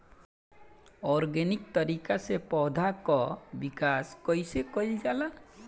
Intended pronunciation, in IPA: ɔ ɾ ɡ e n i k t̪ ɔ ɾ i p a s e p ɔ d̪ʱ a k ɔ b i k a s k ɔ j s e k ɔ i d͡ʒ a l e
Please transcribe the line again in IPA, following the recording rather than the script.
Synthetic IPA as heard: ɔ ɾ ɡ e n i k t̪ ɔ ɾ i k a s e p ɔ d̪ʱ a k ɔ b i k a s k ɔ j s e k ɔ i d͡ʒ a l a